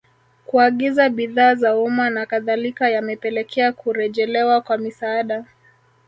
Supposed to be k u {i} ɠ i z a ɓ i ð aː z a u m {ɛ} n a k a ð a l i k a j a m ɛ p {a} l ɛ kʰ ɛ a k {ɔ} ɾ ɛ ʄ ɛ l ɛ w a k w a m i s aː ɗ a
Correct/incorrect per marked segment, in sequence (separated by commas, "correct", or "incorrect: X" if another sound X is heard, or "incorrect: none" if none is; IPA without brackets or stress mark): incorrect: a, incorrect: a, incorrect: ɛ, incorrect: u